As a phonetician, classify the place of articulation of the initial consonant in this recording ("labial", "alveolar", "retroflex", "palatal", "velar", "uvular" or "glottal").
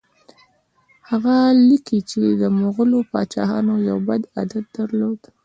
glottal